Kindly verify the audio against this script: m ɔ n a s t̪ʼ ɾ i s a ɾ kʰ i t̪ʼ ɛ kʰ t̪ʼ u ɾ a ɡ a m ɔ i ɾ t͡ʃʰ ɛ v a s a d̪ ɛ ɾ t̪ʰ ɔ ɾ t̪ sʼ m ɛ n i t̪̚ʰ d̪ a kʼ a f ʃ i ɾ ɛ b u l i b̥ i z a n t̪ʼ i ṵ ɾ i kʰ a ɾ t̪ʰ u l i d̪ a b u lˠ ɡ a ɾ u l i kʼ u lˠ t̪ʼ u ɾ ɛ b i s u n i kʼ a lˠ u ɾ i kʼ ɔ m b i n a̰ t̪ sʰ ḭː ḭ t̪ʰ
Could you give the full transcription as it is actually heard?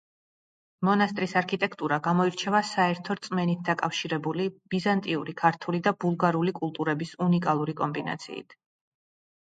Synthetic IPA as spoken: m ɔ n a s t̪ʼ ɾ i s a ɾ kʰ i t̪ʼ ɛ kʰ t̪ʼ u ɾ a ɡ a m ɔ i ɾ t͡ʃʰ ɛ v a s a ɛ ɾ t̪ʰ ɔ ɾ t̪ sʼ m ɛ n i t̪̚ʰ d̪ a kʼ a f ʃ i ɾ ɛ b u l i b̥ i z a n t̪ʼ i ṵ ɾ i kʰ a ɾ t̪ʰ u l i d̪ a b u lˠ ɡ a ɾ u l i kʼ u lˠ t̪ʼ u ɾ ɛ b i s u n i kʼ a lˠ u ɾ i kʼ ɔ m b i n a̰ t̪ sʰ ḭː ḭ t̪ʰ